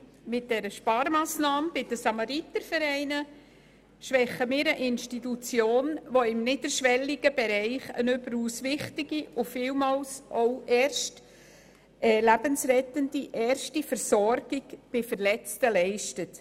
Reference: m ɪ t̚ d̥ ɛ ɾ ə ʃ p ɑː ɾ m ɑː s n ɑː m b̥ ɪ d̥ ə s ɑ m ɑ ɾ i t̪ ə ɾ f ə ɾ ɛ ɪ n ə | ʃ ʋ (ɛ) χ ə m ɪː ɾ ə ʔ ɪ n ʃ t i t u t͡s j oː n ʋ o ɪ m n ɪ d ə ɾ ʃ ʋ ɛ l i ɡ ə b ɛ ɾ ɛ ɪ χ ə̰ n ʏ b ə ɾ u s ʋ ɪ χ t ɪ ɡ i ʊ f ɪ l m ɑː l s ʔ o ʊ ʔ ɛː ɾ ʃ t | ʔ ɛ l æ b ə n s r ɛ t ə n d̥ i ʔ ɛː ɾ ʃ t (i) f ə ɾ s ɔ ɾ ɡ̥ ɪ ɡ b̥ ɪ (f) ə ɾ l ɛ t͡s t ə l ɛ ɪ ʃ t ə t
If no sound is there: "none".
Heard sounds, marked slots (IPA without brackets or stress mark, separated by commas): ɛ, i, f